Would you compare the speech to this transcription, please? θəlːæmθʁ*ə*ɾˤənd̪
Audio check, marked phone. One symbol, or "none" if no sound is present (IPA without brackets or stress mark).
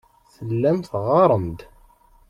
ɑ